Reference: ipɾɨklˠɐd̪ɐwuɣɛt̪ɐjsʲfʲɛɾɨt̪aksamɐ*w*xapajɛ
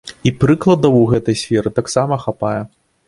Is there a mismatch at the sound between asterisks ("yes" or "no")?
yes